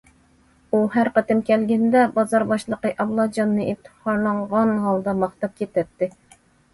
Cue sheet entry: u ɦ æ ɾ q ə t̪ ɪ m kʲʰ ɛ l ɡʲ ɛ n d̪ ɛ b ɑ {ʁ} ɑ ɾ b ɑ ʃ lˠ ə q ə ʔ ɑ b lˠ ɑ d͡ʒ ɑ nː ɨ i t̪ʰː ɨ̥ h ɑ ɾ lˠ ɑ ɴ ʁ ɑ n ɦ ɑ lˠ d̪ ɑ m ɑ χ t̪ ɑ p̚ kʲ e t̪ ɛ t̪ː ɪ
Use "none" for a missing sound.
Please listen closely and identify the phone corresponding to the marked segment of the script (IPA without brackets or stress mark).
z